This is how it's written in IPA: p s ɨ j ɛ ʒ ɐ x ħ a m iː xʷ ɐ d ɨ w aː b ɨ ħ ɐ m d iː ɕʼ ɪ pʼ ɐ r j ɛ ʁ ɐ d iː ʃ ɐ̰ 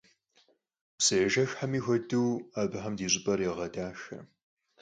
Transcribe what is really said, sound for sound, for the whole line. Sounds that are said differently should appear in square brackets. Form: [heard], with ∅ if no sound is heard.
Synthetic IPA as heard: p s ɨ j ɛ ʒ ɐ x ħ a m iː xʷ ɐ d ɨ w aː b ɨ ħ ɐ m d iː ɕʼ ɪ pʼ ɐ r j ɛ ʁ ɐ d [aː] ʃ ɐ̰